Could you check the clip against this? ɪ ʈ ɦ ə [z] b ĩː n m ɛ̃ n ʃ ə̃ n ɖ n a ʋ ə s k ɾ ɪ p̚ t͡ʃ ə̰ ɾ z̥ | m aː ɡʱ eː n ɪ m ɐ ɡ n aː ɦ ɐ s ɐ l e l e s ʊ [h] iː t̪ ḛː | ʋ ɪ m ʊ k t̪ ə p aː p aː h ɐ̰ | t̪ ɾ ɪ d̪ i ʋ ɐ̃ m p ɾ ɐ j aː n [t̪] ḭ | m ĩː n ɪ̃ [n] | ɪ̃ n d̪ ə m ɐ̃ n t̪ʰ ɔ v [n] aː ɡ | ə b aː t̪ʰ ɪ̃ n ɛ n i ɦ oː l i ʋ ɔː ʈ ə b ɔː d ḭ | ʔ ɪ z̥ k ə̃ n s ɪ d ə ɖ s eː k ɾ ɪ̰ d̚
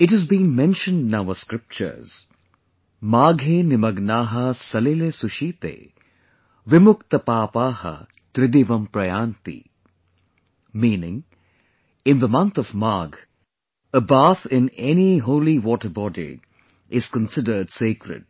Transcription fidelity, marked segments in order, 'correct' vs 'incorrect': correct, incorrect: ʃ, correct, incorrect: ŋ, incorrect: m

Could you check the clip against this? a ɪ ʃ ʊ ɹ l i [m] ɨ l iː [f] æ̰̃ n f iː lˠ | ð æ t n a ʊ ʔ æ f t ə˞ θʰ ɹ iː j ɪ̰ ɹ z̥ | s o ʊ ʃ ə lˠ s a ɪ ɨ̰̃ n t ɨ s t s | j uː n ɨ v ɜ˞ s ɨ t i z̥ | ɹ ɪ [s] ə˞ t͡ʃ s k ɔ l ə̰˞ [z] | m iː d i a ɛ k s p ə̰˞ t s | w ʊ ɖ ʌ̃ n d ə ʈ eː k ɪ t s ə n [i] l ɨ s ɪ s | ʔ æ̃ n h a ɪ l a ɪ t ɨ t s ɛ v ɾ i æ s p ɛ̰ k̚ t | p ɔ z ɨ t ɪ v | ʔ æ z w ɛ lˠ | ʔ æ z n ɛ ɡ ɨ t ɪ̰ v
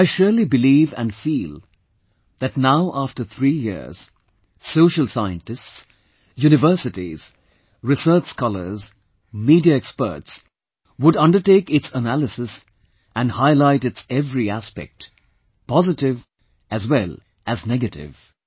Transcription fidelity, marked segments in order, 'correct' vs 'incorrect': incorrect: b, incorrect: v, correct, correct, incorrect: æ

